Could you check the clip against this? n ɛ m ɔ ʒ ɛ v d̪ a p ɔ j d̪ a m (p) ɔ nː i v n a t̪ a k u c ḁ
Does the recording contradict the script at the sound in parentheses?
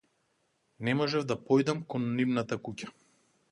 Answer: yes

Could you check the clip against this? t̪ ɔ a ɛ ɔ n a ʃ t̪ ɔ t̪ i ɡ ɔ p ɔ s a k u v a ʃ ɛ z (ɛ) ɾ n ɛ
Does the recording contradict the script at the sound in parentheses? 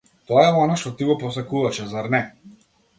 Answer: yes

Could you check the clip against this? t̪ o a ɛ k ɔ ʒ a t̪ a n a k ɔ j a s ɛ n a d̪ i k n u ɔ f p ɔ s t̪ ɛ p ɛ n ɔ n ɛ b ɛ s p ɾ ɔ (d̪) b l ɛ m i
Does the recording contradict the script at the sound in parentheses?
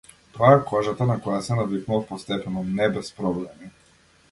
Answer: yes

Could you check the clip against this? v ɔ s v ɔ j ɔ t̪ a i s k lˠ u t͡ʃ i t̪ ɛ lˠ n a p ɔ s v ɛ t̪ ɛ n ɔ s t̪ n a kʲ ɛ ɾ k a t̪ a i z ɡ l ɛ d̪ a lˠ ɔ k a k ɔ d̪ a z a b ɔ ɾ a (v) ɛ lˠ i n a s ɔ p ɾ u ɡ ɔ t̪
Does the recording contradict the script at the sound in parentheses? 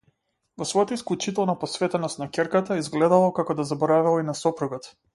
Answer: no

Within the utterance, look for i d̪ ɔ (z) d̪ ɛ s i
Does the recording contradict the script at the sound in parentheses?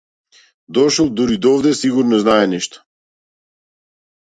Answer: yes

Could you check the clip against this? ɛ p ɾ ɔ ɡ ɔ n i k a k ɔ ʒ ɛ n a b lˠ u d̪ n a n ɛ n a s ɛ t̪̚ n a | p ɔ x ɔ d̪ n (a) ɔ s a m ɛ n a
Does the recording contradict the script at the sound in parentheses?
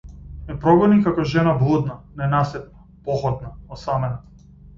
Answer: no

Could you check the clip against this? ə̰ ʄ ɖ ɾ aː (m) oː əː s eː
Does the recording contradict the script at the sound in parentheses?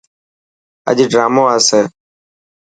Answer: no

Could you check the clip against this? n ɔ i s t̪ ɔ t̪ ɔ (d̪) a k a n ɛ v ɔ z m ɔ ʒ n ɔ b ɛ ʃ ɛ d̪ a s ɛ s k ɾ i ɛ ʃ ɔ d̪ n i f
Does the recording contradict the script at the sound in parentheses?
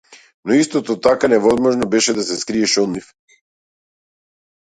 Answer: yes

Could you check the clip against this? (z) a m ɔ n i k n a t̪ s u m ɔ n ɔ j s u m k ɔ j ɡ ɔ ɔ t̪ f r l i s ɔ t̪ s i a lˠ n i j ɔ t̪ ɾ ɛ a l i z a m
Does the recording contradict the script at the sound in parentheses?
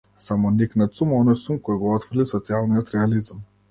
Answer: yes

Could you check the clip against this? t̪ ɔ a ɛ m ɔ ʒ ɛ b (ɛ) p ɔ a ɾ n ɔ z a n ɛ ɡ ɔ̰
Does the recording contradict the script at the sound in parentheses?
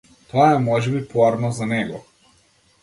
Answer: yes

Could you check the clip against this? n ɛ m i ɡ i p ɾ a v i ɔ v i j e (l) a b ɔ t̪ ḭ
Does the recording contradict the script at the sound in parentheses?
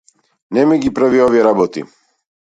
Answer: yes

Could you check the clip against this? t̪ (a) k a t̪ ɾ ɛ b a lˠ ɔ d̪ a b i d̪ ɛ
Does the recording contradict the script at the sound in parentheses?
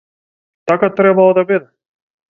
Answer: no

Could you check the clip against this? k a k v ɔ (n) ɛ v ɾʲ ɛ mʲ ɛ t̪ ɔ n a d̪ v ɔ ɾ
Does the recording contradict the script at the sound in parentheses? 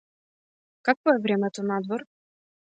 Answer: yes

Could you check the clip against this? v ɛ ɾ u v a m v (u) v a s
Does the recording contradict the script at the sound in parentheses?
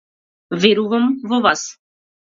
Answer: yes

